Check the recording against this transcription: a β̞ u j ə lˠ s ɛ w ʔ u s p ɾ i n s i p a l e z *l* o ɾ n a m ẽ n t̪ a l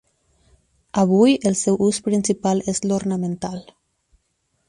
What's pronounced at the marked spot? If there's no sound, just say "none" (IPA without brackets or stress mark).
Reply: l